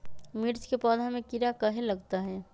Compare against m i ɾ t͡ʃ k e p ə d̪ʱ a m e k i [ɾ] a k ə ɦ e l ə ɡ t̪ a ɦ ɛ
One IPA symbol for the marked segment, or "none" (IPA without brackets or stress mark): ɾ